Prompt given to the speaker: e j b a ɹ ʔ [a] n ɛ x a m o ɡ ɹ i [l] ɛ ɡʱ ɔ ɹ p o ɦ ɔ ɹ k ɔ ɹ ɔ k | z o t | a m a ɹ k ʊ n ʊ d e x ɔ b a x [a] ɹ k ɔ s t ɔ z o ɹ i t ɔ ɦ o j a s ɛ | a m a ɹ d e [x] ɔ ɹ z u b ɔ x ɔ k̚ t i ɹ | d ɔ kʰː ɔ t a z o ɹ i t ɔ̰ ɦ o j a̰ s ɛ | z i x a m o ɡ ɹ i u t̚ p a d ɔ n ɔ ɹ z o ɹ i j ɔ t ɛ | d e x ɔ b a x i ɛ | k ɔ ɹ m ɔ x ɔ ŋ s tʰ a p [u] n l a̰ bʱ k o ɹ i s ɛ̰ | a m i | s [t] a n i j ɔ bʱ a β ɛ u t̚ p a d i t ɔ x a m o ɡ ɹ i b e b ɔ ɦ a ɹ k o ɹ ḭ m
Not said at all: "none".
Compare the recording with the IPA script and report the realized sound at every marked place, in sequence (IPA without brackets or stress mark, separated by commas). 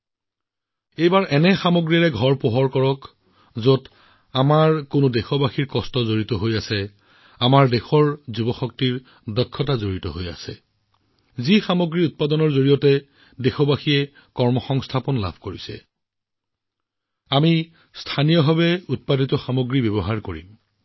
ɛ, ɹ, i, x, ɔ, tʰ